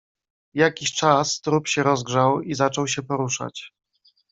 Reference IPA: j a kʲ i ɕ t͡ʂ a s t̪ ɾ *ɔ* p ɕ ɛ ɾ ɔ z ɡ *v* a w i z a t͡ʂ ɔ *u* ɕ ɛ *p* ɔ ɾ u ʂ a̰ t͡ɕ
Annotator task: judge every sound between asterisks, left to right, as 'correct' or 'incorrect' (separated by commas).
incorrect, incorrect, incorrect, correct